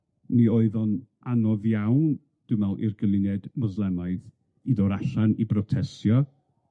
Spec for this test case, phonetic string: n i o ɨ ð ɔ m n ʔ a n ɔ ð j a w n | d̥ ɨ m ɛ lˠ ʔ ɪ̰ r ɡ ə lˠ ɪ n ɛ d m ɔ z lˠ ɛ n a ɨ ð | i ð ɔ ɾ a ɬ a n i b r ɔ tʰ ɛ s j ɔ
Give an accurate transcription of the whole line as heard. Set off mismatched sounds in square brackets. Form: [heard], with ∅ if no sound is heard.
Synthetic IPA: n i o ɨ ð ɔ [∅] n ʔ a n ɔ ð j a w n | d̥ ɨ m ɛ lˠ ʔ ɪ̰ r ɡ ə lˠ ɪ n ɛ d m ɔ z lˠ ɛ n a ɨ ð | i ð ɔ ɾ a ɬ a n i b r ɔ tʰ ɛ s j ɔ